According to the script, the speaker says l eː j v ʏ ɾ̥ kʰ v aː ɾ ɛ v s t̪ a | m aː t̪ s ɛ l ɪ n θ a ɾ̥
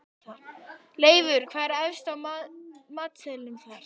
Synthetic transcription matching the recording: l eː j v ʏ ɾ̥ kʰ v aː ɾ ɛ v s t̪ a | m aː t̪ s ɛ l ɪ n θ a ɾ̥